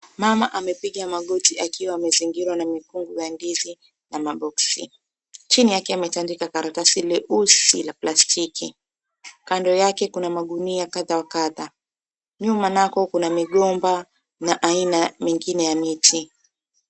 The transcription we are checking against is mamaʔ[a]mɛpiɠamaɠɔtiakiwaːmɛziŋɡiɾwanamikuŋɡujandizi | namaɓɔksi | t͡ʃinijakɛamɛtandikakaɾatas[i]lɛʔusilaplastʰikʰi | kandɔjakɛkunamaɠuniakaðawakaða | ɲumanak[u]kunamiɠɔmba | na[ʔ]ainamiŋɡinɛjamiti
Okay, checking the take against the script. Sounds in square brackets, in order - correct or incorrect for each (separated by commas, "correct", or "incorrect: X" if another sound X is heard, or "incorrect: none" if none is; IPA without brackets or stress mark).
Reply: correct, correct, incorrect: ɔ, correct